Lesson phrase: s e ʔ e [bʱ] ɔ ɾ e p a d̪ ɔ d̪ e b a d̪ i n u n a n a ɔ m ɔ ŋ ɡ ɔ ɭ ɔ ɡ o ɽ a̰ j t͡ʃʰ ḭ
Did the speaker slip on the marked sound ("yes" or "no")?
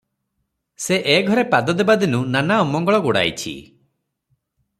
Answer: yes